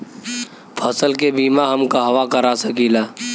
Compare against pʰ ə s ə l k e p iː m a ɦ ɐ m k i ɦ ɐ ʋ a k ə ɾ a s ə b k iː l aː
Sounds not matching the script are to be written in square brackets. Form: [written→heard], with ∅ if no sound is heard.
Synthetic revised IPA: pʰ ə s ə l k e [p→b] iː m a ɦ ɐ m k [i→a] ɦ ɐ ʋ a k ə ɾ a s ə [b→∅] k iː l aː